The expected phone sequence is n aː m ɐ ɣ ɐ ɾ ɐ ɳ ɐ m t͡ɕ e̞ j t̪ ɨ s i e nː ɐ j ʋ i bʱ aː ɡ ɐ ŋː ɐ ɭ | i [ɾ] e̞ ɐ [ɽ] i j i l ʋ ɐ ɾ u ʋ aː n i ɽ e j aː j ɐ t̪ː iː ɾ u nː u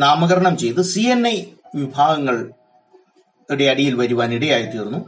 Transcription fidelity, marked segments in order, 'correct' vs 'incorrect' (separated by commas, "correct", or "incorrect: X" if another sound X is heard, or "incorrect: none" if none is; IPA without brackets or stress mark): incorrect: ɽ, correct